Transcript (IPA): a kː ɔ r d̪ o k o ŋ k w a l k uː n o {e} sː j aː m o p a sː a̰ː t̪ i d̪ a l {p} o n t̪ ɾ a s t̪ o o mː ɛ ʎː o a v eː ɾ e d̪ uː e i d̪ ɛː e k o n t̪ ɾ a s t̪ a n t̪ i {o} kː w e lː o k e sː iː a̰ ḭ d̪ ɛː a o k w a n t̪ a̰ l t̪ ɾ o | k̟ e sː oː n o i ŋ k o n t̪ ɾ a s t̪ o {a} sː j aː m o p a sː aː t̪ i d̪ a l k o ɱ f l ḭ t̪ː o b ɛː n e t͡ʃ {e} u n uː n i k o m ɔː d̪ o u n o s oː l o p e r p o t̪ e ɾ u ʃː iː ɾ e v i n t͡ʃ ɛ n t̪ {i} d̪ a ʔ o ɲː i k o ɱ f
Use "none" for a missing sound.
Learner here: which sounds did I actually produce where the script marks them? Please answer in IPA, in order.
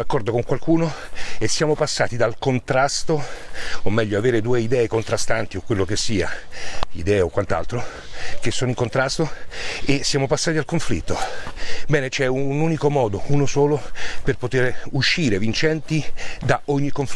e, k, o, e, ɛ, i

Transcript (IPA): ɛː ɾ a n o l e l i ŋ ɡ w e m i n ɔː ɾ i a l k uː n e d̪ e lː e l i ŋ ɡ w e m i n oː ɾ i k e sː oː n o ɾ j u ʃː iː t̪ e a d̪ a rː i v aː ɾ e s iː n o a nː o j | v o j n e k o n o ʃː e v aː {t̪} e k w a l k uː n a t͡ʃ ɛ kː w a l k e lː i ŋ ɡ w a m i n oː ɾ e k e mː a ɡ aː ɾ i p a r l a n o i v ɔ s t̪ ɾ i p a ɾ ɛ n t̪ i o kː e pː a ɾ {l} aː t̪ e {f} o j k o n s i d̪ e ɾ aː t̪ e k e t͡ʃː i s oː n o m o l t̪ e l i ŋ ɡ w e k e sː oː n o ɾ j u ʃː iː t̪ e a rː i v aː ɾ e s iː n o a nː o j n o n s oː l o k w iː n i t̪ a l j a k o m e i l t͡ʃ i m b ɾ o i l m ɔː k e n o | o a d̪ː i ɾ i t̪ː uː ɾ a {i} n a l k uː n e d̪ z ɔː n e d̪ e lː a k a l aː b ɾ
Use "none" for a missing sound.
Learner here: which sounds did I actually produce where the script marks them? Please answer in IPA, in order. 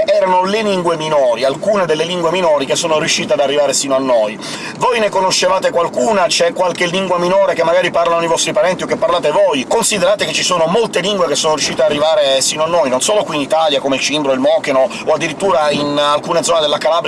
t̪, l, v, i

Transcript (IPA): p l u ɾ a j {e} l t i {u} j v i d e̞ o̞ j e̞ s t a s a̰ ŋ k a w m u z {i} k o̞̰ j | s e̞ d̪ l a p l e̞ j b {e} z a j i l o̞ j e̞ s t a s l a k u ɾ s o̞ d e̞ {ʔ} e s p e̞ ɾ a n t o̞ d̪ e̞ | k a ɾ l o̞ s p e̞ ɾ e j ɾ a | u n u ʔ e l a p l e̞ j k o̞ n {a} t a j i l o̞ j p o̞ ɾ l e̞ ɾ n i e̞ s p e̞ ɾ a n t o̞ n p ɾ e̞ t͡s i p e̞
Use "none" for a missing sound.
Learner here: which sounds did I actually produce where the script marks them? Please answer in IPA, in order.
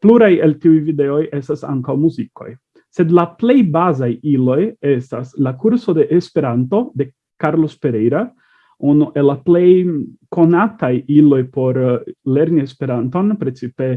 e, u, i, a, ʔ, a

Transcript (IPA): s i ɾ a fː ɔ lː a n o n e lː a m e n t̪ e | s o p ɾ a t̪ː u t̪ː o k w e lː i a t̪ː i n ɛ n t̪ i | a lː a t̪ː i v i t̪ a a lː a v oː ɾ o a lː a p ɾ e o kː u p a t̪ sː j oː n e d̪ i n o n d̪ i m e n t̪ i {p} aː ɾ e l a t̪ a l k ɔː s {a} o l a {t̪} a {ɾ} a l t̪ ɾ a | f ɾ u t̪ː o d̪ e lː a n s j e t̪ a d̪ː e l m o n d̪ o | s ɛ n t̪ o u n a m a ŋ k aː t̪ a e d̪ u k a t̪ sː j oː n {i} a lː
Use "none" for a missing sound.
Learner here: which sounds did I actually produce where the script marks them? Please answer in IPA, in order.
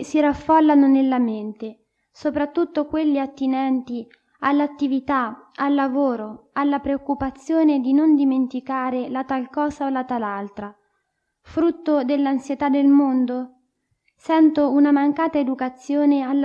k, a, t̪, l, e

